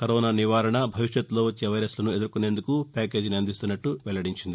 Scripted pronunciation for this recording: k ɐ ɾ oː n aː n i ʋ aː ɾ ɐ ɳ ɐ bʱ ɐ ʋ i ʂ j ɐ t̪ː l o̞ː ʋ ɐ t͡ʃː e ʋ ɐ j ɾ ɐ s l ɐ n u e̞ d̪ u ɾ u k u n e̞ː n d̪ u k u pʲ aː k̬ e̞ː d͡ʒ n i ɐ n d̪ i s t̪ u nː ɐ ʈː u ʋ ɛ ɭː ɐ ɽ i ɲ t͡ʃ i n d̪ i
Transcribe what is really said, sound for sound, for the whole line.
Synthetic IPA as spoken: k ɐ ɾ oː n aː n i ʋ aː ɾ ɐ ɳ ɐ bʱ ɐ ʋ i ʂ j ɐ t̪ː l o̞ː ʋ ɐ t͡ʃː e ʋ ɐ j ɾ ɐ s l ɐ n u e̞ d̪ u ɾ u k u n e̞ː n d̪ u k u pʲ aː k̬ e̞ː d͡ʒ n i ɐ n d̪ i s t̪ u nː ɐ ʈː u ʋ ɛ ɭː ɐ ɽ i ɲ t͡ʃ i n d̪ i